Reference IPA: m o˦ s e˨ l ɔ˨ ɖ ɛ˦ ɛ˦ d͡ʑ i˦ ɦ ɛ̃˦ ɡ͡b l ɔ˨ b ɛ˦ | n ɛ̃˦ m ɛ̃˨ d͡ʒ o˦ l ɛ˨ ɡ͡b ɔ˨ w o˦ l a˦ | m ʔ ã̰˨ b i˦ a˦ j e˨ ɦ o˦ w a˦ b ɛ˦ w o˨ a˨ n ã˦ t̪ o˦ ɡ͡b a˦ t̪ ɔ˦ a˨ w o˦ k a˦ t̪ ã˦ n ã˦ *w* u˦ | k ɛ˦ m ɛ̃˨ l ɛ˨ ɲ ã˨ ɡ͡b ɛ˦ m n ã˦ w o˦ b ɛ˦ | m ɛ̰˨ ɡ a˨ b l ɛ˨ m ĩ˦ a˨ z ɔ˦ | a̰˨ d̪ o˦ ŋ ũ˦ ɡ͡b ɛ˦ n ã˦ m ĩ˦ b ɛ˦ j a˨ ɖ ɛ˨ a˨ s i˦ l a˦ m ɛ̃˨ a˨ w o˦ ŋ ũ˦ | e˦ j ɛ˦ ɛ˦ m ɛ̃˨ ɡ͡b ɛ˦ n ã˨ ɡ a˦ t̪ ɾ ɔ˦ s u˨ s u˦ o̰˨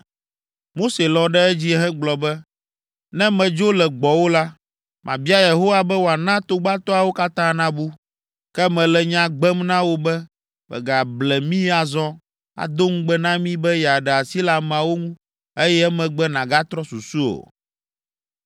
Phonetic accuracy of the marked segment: incorrect: b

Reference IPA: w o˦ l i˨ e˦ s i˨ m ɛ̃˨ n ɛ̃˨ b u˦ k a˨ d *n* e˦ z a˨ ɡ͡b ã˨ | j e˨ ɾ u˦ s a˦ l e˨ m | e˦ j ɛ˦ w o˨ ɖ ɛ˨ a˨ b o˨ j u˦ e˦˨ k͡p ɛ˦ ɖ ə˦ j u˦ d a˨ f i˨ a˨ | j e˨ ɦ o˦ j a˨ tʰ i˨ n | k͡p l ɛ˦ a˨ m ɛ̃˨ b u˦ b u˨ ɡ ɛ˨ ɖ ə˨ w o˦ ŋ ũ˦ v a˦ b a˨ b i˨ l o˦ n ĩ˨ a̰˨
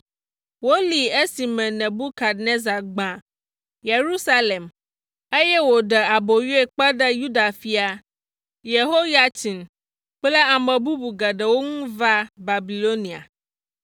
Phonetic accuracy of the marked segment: correct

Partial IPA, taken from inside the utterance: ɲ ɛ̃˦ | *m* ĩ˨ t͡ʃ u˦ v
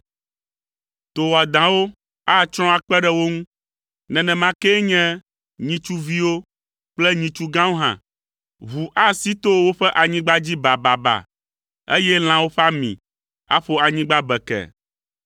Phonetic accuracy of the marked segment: incorrect: ɲ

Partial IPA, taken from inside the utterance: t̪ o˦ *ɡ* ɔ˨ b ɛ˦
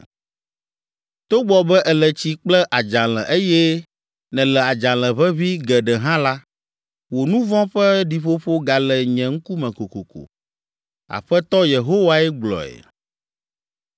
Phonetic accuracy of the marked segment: incorrect: ɡ͡b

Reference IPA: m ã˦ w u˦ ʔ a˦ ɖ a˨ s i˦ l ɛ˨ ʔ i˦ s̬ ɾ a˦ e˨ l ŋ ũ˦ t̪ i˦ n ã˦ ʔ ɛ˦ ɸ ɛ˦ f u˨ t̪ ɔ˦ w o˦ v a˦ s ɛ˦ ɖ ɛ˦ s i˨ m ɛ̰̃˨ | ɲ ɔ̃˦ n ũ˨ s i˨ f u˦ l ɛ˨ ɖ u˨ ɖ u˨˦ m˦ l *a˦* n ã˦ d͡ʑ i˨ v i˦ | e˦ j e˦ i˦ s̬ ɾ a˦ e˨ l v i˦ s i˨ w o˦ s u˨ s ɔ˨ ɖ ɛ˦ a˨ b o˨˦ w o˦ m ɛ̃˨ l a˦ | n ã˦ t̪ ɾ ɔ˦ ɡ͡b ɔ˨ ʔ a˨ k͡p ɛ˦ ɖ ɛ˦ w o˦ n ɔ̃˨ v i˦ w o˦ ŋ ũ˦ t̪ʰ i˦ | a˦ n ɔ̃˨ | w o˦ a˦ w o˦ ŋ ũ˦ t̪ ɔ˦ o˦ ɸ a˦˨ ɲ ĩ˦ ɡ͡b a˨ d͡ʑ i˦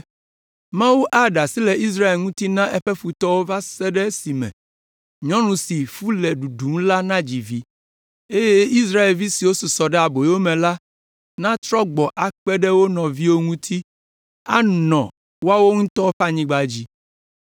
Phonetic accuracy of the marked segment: correct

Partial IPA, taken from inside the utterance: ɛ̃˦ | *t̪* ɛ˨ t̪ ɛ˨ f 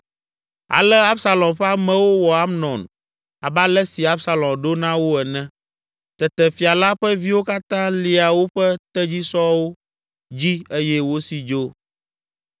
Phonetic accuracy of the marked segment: correct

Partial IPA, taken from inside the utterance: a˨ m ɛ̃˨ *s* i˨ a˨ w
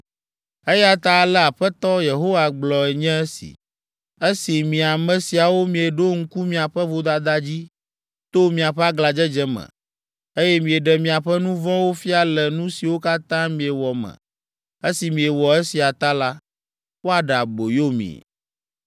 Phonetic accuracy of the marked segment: correct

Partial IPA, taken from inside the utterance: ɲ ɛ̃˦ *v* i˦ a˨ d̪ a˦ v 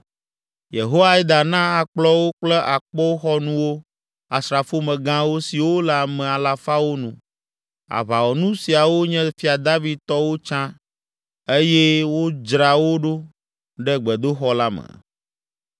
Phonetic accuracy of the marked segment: incorrect: f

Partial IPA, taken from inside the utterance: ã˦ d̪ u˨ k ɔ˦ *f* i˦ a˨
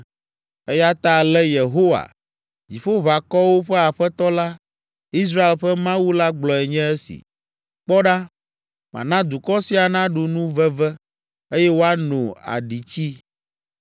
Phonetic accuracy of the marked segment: incorrect: s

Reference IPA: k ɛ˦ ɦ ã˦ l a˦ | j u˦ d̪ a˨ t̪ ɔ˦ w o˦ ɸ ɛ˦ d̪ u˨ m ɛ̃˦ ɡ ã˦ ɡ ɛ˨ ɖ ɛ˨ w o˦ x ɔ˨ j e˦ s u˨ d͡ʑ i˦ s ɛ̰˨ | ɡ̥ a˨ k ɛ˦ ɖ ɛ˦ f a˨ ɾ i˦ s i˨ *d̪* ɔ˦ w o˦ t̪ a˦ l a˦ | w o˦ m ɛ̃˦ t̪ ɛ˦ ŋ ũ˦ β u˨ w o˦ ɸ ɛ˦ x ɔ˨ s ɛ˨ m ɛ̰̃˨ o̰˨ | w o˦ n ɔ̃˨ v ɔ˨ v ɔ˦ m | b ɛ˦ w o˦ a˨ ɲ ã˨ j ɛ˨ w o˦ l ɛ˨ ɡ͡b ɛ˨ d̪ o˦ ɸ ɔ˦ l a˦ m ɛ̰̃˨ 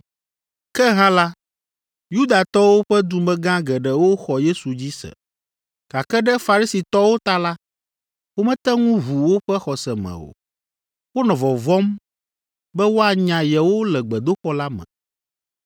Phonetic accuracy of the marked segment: incorrect: t̪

